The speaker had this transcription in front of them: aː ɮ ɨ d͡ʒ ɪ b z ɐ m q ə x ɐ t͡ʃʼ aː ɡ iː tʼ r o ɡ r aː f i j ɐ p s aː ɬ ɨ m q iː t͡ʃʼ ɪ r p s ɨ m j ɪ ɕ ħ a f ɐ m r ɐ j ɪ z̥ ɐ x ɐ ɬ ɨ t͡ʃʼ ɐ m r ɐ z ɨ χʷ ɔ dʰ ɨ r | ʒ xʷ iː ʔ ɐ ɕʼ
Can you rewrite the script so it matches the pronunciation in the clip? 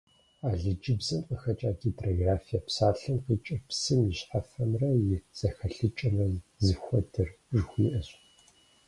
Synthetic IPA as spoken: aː ɮ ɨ d͡ʒ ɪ b z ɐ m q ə x ɐ t͡ʃʼ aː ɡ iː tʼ r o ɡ r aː f i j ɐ p s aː ɬ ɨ m q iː t͡ʃʼ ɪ r p s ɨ m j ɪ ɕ ħ a f ɐ m r ɐ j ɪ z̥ ɐ x ɐ ɬ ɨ t͡ʃʼ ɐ m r ɐ z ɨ xʷ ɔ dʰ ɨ r | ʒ xʷ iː ʔ ɐ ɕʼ

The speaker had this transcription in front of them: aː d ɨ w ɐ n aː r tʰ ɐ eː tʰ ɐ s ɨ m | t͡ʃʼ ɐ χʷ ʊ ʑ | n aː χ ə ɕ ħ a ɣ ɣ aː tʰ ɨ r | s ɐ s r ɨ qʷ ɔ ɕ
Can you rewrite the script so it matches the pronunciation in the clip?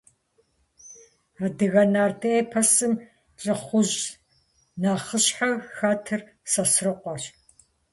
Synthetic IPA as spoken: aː d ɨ ɣ ɐ n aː r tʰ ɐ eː pʰ ɐ s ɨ m | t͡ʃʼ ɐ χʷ ʊ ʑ | n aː χ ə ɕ ħ a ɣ x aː tʰ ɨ r | s ɐ s r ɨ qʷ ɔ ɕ

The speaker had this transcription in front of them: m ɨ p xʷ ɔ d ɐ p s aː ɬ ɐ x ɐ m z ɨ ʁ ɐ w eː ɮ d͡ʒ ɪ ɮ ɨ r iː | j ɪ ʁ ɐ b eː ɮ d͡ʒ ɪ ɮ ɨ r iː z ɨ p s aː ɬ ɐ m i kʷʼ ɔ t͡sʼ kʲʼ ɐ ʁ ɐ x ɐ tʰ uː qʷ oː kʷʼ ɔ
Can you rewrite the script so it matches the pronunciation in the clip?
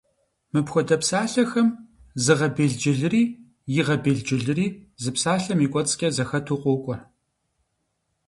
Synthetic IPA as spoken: m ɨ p xʷ ɔ d ɐ p s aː ɬ ɐ x ɐ m z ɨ ʁ ɐ b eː ɮ d͡ʒ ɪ ɮ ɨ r iː | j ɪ ʁ ɐ b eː ɮ d͡ʒ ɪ ɮ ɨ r iː z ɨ p s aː ɬ ɐ m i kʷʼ ɔ t͡sʼ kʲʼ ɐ z ɐ x ɐ tʰ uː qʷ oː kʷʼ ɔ

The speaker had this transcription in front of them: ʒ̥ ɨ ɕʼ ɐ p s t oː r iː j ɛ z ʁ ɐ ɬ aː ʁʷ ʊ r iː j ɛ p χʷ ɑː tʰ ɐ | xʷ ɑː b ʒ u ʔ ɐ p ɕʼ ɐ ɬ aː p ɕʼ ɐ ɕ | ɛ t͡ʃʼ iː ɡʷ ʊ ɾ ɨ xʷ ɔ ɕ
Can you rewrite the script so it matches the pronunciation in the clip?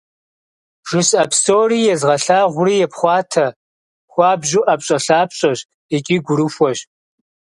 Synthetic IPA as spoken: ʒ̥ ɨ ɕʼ ɐ p s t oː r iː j ɛ z ʁ ɐ ɬ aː ʁʷ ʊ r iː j ɛ p χʷ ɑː tʰ ɐ | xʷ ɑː b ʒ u ʔ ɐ p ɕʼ ɐ ɬ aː p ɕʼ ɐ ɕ | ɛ t͡ʃʼ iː ɡʷ ʊ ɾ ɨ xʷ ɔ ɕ

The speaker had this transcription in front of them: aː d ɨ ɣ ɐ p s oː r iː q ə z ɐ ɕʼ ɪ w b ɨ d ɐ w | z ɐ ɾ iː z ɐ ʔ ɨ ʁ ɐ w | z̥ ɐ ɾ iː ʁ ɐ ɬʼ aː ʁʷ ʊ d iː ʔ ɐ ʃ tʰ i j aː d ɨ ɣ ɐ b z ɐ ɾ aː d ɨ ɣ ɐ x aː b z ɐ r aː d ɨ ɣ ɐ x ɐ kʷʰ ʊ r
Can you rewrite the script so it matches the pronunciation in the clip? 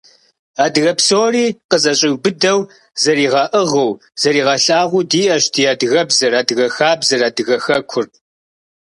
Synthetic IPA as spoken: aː d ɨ ɣ ɐ p s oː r iː q ə z ɐ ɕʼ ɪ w b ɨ d ɐ w | z ɐ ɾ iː ʁ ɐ ʔ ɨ ʁ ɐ w | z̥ ɐ ɾ iː ʁ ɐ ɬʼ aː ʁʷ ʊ d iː ʔ ɐ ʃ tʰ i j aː d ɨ ɣ ɐ b z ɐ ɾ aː d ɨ ɣ ɐ x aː b z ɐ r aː d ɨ ɣ ɐ x ɐ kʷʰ ʊ r

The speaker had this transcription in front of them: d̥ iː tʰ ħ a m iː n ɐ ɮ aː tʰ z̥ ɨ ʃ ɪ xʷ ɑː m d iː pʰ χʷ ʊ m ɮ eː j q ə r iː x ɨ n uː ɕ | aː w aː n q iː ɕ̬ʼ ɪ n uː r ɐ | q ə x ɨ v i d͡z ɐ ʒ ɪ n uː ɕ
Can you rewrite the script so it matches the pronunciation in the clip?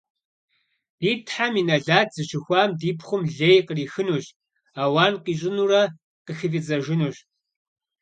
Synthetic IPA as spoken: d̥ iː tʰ ħ a m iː n ɐ ɮ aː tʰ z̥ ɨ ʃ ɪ xʷ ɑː m d iː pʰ χʷ ʊ m ɮ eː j q ə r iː x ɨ n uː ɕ | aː w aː n q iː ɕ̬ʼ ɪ n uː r ɐ | q ə x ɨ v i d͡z ɐ ʒ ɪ n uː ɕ

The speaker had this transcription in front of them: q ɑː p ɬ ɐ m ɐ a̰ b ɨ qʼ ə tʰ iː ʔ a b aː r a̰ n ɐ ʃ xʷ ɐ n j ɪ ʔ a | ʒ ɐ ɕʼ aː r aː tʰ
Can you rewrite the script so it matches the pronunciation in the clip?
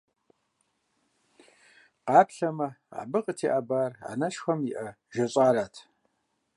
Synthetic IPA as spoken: q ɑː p ɬ ɐ m ɐ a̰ b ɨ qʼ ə tʰ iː ʔ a b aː r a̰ n ɐ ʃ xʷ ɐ m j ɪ ʔ ɐ | ʒ ɐ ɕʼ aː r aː tʰ

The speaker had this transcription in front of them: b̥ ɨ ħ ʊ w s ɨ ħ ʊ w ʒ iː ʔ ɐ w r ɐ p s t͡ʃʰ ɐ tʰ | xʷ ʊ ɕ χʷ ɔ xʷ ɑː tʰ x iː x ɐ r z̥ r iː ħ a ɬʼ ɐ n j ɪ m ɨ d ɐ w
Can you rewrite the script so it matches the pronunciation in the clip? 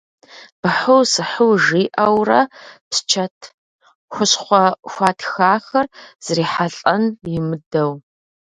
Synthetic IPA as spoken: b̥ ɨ ħ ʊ w s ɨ ħ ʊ w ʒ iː ʔ ɐ w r ɐ p s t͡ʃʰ ɐ tʰ | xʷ ʊ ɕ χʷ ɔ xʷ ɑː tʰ x aː x ɐ r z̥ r iː ħ a ɬʼ ɐ n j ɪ m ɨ d ɐ w

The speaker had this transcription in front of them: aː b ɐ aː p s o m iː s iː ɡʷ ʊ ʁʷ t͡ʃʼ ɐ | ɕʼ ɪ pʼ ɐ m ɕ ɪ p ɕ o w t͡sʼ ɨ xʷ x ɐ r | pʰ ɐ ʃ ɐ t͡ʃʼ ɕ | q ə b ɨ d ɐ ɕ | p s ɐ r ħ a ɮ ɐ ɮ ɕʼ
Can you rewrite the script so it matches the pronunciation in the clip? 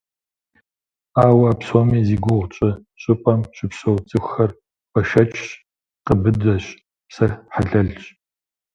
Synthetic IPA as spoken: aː w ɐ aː p s o m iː z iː ɡʷ ʊ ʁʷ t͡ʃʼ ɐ | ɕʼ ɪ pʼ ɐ m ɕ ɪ p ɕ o w t͡sʼ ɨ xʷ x ɐ r | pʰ ɐ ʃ ɐ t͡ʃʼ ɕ | q ə b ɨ d ɐ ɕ | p s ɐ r ħ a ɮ ɐ ɮ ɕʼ

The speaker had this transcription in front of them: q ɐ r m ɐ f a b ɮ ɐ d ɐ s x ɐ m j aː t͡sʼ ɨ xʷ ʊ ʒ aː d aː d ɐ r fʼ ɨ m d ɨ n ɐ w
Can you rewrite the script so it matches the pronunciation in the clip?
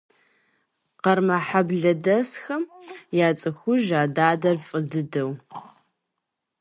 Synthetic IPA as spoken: q ɐ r m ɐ ħ a b ɮ ɐ d ɐ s x ɐ m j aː t͡sʼ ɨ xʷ ʊ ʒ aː d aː d ɐ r fʼ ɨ d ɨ d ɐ w

